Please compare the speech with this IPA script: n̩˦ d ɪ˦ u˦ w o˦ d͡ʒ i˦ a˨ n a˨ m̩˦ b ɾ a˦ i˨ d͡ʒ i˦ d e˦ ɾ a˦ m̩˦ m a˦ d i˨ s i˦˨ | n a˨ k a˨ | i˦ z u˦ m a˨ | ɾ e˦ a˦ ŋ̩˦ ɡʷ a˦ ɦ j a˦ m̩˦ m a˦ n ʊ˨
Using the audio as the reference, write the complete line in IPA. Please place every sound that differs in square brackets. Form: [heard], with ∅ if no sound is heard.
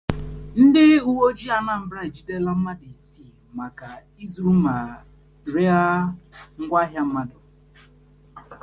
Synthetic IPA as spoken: n̩˦ d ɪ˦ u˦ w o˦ d͡ʒ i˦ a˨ n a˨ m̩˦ b ɾ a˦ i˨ d͡ʒ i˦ d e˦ [l] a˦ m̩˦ m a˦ d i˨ s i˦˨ | [m] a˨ k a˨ | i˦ z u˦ m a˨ | ɾ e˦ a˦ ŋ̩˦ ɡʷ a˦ ɦ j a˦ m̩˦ m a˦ [d] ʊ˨